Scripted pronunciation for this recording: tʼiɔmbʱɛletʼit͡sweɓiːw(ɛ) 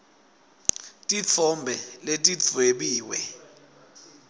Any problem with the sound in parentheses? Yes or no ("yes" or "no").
no